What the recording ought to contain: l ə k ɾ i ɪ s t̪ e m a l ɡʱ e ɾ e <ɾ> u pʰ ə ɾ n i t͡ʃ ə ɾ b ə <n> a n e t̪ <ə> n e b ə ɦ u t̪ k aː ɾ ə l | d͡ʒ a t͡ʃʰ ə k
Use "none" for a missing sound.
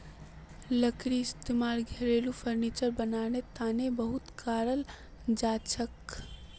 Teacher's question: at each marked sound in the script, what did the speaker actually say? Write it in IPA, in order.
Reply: l, n, a

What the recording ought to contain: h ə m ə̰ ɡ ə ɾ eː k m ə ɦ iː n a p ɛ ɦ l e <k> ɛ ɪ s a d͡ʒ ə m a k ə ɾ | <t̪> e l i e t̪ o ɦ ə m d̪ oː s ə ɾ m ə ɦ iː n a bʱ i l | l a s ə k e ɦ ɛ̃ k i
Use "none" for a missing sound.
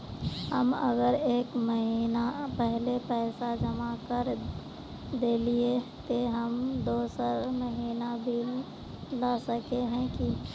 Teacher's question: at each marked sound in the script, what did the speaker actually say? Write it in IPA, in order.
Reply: p, d̪

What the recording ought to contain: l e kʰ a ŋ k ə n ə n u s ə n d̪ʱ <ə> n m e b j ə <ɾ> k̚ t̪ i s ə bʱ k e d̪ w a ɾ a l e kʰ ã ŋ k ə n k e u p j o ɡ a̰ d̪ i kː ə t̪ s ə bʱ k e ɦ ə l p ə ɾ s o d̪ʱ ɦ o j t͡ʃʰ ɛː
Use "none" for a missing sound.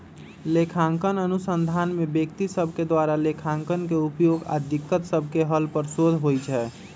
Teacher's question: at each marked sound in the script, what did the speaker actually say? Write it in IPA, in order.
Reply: a, none

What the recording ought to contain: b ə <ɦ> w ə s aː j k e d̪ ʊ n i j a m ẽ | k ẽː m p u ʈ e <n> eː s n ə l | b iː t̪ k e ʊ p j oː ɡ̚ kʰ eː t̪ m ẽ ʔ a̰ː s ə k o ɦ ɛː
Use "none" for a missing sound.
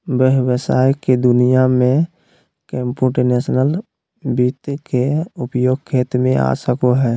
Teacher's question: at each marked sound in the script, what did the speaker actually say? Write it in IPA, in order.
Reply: ɦ, n

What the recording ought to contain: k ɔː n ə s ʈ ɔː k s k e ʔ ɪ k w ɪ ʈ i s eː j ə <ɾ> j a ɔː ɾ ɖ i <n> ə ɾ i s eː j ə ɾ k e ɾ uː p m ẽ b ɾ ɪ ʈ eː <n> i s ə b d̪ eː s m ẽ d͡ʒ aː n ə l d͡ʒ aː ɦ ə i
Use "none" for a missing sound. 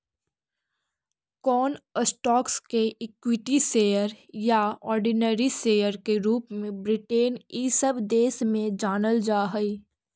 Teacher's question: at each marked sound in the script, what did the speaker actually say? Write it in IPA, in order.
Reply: ɾ, n, n

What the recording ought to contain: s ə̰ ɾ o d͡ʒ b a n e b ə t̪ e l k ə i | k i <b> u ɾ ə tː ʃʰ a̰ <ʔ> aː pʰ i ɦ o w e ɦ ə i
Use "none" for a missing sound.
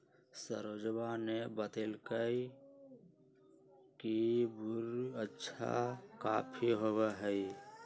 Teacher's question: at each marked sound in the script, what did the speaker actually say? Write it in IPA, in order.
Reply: b, k

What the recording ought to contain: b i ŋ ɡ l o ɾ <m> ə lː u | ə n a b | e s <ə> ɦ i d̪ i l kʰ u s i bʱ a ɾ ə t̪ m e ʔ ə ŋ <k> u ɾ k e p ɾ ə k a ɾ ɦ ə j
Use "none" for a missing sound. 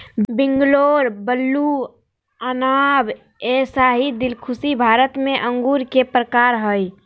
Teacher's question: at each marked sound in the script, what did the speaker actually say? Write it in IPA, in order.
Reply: b, a, ɡ

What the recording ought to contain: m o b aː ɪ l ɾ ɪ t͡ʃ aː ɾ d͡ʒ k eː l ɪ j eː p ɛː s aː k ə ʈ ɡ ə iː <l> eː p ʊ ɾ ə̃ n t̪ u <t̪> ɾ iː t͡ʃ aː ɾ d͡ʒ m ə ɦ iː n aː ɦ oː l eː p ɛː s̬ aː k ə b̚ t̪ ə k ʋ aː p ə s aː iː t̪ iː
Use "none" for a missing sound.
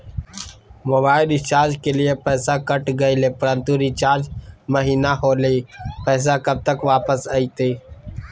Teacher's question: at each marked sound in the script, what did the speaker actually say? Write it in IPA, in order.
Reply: l, none

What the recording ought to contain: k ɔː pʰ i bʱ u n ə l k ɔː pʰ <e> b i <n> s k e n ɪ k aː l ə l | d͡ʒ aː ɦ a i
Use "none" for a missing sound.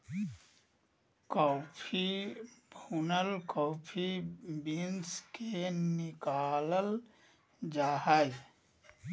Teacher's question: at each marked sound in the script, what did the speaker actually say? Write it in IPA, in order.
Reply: i, n

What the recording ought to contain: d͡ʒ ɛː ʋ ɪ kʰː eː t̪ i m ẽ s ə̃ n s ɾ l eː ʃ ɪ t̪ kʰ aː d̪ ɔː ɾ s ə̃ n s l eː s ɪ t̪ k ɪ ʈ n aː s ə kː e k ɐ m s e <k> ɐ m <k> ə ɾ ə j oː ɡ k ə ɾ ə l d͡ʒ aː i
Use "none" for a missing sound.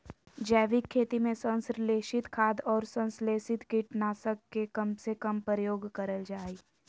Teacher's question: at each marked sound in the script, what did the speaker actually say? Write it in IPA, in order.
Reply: k, p

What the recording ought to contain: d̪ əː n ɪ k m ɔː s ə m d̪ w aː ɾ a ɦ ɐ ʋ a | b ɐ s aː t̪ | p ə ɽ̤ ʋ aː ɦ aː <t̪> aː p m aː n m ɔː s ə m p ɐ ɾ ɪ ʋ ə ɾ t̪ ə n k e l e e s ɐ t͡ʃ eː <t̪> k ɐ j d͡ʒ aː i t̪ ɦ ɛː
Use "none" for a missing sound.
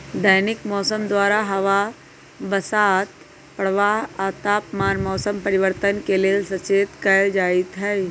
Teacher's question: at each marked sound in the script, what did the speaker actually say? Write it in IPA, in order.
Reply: t̪, t̪

